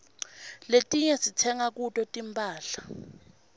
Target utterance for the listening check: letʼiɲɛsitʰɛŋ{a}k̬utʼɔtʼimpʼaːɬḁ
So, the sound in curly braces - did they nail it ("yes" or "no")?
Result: yes